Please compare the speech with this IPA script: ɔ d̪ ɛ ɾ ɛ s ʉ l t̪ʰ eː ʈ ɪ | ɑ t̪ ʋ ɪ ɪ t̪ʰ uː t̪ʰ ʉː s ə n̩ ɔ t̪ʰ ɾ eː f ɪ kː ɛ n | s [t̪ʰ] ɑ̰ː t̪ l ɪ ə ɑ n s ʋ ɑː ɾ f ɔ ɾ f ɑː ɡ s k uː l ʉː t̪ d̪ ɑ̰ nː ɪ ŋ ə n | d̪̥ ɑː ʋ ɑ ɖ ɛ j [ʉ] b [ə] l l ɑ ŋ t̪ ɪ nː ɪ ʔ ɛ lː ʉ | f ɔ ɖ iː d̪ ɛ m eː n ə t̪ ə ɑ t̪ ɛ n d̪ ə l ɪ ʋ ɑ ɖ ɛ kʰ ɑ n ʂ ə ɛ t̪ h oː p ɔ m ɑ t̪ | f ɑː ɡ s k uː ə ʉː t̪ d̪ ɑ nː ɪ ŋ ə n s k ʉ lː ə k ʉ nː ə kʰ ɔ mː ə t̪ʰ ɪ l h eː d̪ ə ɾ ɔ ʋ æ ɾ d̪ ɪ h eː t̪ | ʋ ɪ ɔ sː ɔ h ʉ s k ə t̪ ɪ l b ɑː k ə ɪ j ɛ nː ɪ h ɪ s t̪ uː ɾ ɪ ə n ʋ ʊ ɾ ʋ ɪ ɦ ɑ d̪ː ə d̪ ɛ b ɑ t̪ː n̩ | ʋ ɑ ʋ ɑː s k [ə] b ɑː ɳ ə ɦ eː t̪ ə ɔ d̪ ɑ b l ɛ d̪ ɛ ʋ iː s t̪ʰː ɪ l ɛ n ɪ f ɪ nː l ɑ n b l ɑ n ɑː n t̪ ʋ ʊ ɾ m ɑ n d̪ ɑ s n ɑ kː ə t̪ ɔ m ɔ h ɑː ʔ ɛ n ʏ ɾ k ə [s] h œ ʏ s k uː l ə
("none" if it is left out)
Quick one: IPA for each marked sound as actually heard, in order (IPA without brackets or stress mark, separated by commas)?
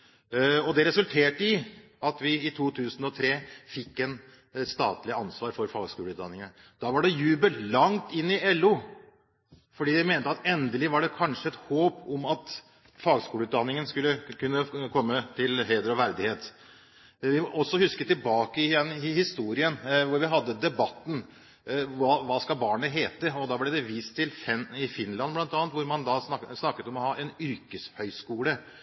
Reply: t̪, ʉː, ə, ɑ, s